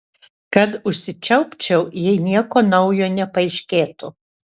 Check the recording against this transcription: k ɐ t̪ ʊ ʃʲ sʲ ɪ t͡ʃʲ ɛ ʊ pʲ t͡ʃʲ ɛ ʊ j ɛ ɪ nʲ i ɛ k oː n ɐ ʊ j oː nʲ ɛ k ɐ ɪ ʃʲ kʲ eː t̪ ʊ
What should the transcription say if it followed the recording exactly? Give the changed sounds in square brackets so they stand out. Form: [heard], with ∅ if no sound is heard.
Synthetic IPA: k ɐ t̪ ʊ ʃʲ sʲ ɪ t͡ʃʲ ɛ ʊ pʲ t͡ʃʲ ɛ ʊ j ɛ ɪ nʲ i ɛ k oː n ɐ ʊ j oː nʲ ɛ [p] ɐ ɪ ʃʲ kʲ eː t̪ ʊ